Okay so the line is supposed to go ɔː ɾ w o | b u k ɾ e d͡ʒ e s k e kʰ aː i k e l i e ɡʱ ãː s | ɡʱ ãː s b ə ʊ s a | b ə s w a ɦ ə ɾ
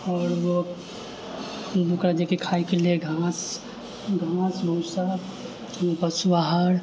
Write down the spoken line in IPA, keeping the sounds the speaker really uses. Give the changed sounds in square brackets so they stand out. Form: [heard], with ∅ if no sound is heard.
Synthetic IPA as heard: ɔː ɾ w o | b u k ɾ [a] d͡ʒ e [∅] k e kʰ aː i k e l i e ɡʱ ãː s | ɡʱ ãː s b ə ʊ s a | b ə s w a ɦ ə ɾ